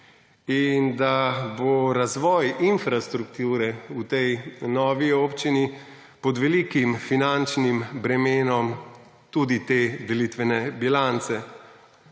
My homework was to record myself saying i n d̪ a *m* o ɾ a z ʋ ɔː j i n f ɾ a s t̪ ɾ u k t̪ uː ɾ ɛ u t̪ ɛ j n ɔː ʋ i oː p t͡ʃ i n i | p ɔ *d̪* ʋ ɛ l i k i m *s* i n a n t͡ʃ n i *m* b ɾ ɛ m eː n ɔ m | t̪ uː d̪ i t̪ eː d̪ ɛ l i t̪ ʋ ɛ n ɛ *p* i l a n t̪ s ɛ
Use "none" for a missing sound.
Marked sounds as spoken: b, d̪, f, m, b

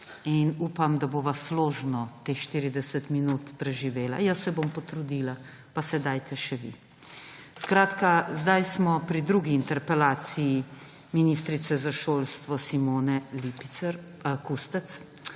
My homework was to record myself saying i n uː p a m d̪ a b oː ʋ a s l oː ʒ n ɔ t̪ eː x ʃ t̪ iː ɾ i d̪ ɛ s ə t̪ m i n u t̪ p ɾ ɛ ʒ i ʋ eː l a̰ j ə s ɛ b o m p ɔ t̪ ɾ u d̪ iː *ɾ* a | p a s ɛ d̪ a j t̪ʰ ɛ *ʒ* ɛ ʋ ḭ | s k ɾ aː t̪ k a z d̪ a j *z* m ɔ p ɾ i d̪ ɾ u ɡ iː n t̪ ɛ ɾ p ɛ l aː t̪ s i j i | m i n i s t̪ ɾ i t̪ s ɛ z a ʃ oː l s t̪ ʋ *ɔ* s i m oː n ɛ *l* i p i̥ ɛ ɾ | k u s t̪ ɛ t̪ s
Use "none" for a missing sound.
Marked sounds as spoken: l, ʃ, s, ɔ, l

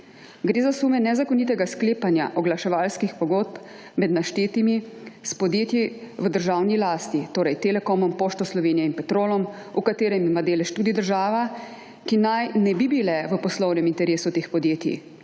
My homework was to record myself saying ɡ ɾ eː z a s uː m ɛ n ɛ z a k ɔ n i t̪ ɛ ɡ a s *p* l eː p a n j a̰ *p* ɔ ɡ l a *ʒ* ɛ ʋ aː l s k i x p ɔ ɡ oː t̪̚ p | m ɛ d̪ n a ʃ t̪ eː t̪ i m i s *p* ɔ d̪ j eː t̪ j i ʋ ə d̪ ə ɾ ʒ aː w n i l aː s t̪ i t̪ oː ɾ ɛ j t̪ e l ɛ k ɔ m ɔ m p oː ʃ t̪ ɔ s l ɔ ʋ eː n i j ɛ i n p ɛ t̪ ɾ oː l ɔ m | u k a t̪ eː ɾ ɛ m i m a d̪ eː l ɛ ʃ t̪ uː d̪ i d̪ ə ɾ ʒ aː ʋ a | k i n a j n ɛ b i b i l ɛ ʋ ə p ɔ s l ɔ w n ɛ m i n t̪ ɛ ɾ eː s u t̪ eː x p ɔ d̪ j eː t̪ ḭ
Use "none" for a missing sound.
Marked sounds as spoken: k, ʔ, ʃ, p

